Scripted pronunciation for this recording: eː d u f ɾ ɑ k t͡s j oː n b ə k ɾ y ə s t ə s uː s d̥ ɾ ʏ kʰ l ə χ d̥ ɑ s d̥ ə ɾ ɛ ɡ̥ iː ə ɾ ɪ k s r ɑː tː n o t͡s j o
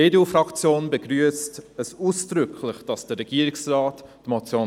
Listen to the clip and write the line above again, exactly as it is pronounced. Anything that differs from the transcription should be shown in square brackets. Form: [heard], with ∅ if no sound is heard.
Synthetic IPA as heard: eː d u f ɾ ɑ k t͡s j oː n b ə [ɡ] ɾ y ə s t ə s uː s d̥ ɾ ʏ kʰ l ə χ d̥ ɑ s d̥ ə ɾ ɛ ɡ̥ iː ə ɾ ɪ k s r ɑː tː [m] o t͡s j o

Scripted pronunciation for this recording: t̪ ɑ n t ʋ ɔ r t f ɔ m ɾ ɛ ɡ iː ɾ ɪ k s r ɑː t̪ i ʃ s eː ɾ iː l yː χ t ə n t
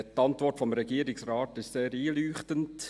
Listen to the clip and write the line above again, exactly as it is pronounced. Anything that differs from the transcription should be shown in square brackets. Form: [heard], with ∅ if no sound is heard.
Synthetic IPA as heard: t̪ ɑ n t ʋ ɔ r t f ɔ m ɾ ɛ ɡ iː ɾ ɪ k s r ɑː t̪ [ɪ] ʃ s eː ɾ iː l yː χ t ə n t

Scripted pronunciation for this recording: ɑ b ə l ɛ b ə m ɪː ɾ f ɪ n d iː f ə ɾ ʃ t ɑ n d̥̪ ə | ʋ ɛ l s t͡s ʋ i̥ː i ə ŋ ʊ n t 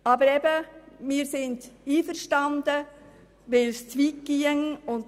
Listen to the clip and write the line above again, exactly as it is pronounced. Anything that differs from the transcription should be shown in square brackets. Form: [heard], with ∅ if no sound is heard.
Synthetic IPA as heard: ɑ b ə [ɾ] ɛ b ə m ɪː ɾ [s] ɪ n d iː f ə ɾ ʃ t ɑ n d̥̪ ə | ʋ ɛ l s t͡s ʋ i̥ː i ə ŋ ʊ n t

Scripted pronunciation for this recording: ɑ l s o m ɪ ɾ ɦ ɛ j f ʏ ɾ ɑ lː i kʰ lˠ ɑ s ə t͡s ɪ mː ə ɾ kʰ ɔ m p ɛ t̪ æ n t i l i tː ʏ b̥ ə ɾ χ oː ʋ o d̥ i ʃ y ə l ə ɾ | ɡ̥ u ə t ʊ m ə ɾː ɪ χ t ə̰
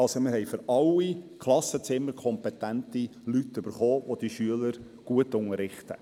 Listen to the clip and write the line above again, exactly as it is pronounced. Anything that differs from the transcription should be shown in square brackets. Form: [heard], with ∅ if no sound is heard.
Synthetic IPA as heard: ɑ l s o m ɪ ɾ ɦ ɛ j f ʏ ɾ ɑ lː i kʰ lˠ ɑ s ə t͡s ɪ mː ə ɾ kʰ ɔ m p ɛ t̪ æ n t i l [y] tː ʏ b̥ ə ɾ χ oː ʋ o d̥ i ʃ y ə l ə ɾ | ɡ̥ u ə t ʊ [ŋ] ə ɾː ɪ χ t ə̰

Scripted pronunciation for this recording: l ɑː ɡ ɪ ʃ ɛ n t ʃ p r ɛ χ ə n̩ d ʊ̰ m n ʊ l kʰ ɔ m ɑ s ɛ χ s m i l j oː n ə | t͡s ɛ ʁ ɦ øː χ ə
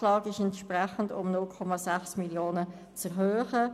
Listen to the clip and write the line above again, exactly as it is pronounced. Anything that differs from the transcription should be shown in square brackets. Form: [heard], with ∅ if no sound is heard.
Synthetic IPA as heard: l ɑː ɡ ɪ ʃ ɛ n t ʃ p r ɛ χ ə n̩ d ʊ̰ m n ʊ l kʰ ɔ m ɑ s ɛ χ s m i l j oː n ə | t͡s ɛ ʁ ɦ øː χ ə

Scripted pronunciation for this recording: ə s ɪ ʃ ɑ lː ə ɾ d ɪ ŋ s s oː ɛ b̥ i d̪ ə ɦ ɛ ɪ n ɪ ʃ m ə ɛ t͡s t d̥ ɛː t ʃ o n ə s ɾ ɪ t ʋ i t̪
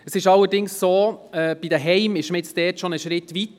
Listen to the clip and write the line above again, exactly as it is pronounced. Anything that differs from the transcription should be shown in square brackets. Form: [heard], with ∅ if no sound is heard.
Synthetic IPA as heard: ə s ɪ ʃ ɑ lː ə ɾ d ɪ ŋ s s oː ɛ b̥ i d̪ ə ɦ ɛ ɪ [m] ɪ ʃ m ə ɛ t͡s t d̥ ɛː t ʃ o n ə [ʃ] ɾ ɪ t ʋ i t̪

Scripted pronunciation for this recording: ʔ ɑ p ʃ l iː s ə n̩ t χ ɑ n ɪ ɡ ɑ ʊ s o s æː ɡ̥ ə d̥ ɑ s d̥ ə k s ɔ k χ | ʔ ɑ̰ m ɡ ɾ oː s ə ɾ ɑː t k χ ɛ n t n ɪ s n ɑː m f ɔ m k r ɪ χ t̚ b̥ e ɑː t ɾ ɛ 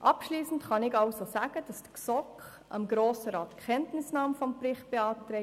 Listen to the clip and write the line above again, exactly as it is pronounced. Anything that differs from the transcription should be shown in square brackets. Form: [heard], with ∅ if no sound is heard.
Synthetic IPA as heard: ʔ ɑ p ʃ l iː s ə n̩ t χ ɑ n ɪ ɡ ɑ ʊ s o s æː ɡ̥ ə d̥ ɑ s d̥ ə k s ɔ k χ | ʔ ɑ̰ m ɡ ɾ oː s ə ɾ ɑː t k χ ɛ n t n ɪ s n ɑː m f ɔ m [p] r ɪ χ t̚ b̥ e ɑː t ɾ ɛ

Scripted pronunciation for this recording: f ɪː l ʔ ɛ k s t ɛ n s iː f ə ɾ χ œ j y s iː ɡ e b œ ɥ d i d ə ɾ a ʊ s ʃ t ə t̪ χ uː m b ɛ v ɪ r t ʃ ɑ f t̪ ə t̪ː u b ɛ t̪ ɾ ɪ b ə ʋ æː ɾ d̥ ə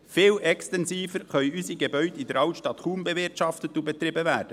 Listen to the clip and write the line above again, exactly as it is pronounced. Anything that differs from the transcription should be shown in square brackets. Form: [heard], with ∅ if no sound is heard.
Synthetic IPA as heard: f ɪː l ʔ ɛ k s t ɛ n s iː f ə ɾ χ œ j y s [i] ɡ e b œ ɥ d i d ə ɾ [ɑ] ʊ [t] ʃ t [ɑ] t̪ χ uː m b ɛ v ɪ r t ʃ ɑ f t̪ ə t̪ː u b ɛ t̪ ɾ ɪ b ə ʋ æː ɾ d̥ ə

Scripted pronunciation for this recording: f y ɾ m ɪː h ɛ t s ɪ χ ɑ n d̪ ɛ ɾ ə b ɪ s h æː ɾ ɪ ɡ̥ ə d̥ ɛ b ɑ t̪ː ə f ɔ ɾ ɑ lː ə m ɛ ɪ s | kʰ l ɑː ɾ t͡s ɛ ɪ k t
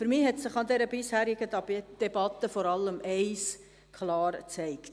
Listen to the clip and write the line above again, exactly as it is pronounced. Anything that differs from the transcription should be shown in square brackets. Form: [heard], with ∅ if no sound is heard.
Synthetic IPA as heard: f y ɾ m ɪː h ɛ t s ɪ χ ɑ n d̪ ɛ ɾ ə b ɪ s h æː ɾ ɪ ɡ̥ ə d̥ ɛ b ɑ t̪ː ə f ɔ ɾ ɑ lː ə m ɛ ɪ s | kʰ l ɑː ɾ t͡s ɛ ɪ k t

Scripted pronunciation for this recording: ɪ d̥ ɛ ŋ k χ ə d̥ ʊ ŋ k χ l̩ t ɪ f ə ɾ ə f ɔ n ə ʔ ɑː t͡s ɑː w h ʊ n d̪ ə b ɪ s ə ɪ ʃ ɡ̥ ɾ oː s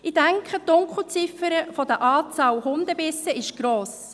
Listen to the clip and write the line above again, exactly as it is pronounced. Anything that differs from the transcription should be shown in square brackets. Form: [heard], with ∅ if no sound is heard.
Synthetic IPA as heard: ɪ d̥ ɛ ŋ k χ ə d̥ ʊ ŋ k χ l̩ [t͡s] ɪ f ə ɾ ə f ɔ [d] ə ʔ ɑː t͡s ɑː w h ʊ n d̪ ə b ɪ s ə ɪ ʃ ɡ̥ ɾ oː s

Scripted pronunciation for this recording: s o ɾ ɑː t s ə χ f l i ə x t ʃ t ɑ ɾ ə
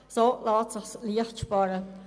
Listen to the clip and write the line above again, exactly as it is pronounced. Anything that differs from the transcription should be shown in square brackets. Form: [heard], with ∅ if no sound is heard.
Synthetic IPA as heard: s o [l] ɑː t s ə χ [s] l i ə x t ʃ [p] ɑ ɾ ə

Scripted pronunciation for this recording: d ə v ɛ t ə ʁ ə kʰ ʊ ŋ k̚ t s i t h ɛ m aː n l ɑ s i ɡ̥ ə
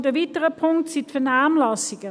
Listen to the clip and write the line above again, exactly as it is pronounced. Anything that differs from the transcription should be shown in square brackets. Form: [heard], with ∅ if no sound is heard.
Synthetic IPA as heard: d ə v [i] t ə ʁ ə [pʰ] ʊ ŋ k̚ t s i t [f] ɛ [n] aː [m] l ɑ s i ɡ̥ ə

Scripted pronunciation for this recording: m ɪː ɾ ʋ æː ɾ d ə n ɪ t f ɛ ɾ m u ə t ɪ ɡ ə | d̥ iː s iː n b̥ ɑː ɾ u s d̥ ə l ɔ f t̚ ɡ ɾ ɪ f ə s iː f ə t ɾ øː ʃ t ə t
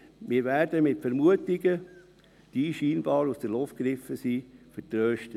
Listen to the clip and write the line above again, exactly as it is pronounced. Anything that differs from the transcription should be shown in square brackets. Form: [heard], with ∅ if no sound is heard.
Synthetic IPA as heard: m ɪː ɾ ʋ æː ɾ d ə [m] ɪ t f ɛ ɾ m u ə t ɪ ɡ ə | d̥ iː [ʃ] iː n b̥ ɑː ɾ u s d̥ ə l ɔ f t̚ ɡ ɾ ɪ f ə s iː f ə t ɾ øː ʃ t ə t

